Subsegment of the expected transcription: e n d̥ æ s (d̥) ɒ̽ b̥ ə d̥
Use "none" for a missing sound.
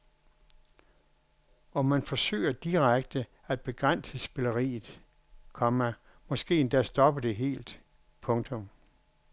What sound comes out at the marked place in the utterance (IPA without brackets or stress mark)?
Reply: d̥